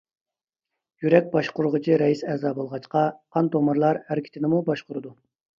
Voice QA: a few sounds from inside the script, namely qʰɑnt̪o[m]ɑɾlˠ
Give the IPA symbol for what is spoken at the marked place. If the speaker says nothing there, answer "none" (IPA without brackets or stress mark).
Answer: m